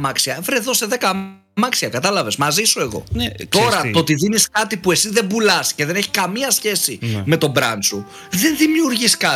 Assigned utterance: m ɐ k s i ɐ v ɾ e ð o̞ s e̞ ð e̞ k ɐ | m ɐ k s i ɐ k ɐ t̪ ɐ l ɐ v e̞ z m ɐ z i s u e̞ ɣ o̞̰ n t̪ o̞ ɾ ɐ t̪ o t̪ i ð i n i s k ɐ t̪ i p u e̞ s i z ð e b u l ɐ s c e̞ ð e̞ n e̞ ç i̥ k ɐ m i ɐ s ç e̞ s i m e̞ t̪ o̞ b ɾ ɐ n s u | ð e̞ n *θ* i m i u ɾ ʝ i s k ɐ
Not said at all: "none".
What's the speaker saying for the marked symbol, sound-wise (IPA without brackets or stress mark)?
ð